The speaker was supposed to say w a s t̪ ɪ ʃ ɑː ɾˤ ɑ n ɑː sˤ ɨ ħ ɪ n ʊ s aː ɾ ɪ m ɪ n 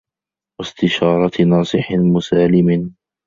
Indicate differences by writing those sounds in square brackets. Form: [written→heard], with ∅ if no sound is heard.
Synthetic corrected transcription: w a s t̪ ɪ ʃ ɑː ɾˤ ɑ n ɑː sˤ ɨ ħ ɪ [n→m] ʊ s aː [ɾ→l] ɪ m ɪ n

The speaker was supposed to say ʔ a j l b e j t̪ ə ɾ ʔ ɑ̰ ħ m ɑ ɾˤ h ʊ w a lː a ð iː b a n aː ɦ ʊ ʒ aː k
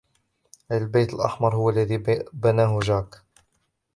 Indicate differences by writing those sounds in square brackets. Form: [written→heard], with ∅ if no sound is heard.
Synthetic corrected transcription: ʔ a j l b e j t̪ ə [ɾ→l] ʔ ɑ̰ ħ m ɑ ɾˤ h ʊ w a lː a ð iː b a n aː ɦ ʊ ʒ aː k

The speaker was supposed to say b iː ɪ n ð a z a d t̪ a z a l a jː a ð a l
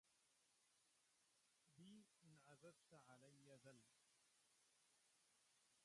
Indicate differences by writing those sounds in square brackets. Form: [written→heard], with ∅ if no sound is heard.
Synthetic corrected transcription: b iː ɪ n [ð→ʕ] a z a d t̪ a [z→ʕ] a l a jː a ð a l

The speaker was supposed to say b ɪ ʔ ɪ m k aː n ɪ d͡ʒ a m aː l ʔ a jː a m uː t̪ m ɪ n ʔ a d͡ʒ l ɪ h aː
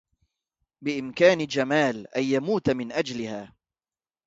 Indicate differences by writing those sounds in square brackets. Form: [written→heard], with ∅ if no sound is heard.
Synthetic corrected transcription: b ɪ ʔ ɪ m k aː n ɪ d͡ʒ a m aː l ʔ a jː a m uː t̪ m ɪ n ʔ a d͡ʒ l ɪ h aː

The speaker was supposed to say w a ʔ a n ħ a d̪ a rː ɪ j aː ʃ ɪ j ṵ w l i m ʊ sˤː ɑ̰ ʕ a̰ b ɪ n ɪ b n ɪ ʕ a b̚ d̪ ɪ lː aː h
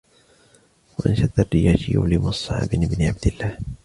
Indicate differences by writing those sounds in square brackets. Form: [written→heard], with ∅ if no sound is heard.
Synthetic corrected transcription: w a ʔ a n [ħ→ʃ] a d̪ a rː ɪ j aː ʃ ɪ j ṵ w l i m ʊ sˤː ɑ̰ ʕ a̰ b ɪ n ɪ b n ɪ ʕ a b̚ d̪ ɪ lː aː h

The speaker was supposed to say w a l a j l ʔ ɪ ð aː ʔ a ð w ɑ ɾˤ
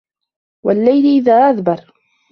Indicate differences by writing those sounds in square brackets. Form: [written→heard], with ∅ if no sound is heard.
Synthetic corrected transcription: w a [l→lː] a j l ʔ ɪ ð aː ʔ a ð [w→b] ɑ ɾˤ

